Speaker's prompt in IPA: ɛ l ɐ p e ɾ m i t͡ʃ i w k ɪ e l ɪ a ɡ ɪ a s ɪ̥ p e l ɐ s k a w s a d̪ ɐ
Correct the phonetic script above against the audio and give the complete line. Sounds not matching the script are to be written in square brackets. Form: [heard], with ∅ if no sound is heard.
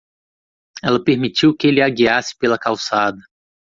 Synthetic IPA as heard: ɛ l ɐ p e ɾ m i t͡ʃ i w k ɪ e l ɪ a ɡ [i] a s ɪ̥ p e l ɐ [∅] k a w s a d̪ ɐ